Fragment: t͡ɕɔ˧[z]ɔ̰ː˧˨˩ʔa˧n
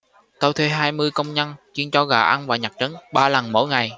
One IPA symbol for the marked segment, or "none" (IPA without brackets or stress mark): ɣ